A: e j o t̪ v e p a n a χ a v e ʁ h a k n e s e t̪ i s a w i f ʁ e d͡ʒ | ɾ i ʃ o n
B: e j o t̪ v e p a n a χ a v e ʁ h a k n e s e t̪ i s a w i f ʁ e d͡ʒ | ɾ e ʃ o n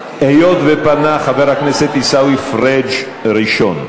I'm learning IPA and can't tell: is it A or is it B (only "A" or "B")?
A